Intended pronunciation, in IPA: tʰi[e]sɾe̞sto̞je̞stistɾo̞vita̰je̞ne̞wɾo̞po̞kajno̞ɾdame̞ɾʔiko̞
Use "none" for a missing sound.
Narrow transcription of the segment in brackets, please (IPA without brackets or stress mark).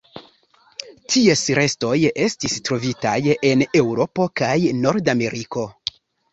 e